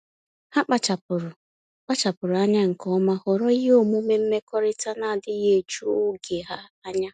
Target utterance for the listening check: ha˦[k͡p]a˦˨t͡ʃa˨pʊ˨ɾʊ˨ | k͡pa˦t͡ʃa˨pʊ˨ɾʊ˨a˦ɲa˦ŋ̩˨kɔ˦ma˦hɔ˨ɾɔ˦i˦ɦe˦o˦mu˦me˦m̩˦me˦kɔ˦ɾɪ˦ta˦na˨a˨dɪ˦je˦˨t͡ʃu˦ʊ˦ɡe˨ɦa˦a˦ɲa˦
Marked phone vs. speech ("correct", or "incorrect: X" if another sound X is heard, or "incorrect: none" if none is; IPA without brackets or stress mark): correct